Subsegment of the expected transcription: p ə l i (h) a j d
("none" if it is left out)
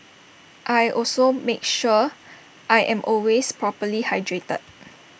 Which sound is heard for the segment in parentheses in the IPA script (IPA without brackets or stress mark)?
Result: h